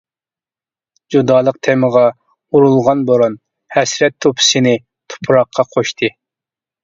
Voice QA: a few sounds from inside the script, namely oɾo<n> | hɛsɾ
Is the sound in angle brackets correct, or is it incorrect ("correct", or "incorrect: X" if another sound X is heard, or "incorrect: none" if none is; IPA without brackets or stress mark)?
correct